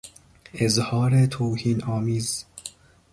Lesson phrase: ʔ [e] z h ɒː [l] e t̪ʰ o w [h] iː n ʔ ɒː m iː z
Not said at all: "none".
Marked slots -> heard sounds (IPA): e, ɾ, h

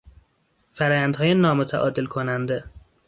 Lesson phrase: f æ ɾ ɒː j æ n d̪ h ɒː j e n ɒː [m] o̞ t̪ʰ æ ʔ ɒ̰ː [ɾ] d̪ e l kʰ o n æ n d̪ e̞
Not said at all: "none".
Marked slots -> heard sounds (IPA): m, none

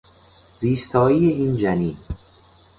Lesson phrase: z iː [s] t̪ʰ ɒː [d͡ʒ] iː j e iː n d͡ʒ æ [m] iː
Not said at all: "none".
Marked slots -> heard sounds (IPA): s, none, n

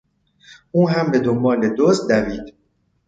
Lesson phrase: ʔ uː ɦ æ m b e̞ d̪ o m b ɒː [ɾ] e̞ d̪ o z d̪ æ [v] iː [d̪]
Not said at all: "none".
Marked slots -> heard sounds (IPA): l, v, d̪

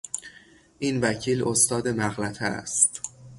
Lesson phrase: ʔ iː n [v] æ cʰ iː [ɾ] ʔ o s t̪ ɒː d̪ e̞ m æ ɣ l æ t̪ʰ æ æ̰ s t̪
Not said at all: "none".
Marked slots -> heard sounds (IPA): v, l

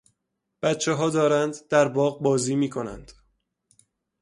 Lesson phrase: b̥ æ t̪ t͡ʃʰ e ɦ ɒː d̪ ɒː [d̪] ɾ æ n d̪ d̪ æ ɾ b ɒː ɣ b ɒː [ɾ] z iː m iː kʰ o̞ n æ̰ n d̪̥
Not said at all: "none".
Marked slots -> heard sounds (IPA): none, none

